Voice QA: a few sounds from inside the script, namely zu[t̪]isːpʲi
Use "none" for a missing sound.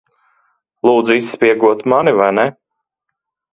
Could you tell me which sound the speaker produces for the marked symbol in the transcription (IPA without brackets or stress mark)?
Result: none